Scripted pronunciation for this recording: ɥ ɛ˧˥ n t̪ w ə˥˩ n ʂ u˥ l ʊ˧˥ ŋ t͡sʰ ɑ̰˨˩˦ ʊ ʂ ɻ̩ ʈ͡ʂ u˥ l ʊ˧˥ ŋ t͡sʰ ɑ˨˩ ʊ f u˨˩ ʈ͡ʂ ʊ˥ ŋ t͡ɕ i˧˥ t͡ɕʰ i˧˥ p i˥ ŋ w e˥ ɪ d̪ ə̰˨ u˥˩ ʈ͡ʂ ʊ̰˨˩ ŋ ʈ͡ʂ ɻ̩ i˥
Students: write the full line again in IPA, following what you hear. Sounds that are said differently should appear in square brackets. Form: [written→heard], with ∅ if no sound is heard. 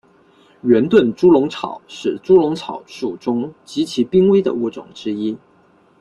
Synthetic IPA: ɥ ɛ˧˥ n t̪ w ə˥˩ n [ʂ→ʈ͡ʂ] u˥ l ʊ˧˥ ŋ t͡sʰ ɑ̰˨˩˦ ʊ ʂ ɻ̩ ʈ͡ʂ u˥ l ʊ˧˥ ŋ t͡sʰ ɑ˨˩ ʊ [f→ʂ] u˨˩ ʈ͡ʂ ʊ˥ ŋ t͡ɕ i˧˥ t͡ɕʰ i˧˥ p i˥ ŋ w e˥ ɪ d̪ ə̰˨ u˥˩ ʈ͡ʂ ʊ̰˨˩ ŋ ʈ͡ʂ ɻ̩ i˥